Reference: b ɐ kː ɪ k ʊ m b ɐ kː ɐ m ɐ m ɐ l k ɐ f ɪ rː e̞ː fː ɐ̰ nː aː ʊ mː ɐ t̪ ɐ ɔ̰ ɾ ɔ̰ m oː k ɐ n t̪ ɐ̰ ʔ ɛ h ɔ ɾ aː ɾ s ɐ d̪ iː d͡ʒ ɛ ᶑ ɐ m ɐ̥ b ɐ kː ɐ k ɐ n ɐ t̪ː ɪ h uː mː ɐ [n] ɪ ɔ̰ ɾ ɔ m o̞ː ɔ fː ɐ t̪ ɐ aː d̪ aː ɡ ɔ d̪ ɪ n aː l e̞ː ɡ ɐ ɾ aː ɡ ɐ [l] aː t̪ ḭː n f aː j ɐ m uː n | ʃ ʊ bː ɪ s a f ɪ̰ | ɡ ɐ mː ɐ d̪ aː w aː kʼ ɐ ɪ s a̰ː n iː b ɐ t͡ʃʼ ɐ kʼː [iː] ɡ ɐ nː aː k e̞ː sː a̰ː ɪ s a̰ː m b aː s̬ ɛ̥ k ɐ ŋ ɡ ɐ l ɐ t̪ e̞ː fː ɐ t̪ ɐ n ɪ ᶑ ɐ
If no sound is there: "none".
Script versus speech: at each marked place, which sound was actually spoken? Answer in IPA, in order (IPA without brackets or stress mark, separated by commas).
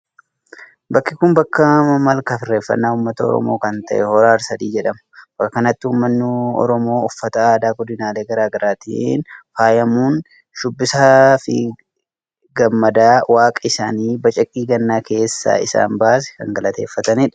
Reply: nː, ɾ, iː